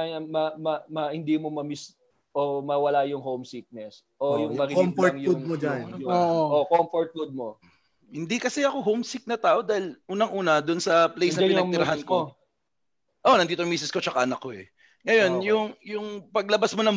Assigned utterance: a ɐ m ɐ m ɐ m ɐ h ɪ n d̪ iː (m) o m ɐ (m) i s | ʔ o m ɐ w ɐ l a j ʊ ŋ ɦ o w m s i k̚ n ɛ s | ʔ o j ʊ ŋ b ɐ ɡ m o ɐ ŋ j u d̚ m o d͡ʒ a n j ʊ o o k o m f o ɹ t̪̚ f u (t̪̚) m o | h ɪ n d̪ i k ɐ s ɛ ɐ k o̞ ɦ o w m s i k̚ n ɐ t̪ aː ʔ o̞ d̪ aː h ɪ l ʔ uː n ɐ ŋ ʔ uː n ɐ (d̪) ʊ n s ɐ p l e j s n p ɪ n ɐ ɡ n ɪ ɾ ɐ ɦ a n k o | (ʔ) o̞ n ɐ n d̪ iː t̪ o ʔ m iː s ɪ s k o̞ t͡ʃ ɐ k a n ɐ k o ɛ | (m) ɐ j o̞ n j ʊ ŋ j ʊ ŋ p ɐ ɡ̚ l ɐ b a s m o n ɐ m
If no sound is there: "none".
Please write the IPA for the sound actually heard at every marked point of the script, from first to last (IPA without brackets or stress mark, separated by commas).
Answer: m, m, d̪̚, d̪, ʔ, ŋ